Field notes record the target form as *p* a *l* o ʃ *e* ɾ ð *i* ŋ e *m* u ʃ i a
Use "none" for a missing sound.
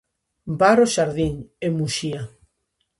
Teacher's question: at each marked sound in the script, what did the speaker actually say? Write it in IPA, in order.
b, ɾ, a, i, m

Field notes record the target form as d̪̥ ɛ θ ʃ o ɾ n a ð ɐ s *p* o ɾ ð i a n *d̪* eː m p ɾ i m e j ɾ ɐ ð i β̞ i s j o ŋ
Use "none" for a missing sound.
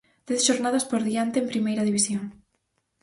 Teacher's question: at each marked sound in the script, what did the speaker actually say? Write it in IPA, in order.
p, t̪

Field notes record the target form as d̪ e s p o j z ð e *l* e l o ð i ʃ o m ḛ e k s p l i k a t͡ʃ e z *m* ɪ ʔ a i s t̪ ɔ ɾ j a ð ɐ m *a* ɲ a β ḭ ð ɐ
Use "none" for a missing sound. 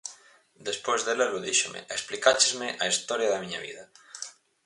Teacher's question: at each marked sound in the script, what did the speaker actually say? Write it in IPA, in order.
l, m, i

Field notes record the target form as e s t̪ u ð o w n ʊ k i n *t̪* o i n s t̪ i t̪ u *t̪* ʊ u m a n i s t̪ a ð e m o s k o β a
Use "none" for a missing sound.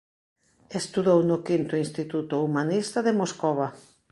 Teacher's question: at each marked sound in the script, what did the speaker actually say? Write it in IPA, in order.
t̪, t̪

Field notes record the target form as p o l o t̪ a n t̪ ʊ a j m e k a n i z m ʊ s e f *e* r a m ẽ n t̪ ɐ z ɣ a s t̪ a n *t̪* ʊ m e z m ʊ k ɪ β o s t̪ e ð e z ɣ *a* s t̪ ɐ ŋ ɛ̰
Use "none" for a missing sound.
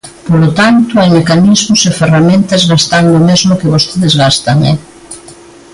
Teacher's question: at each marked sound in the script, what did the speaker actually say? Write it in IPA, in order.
e, d̪, a

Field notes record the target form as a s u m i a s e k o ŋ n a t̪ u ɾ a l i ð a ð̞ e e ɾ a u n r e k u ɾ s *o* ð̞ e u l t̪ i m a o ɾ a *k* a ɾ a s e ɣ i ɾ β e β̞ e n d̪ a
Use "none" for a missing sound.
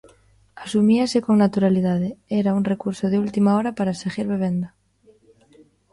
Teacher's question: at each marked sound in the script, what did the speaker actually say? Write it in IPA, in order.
o, p

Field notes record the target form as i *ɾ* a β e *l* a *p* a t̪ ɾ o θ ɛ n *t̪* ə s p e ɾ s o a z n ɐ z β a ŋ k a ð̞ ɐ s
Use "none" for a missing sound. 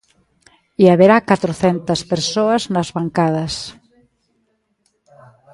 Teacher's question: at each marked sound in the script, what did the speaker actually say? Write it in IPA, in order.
none, ɾ, k, t̪

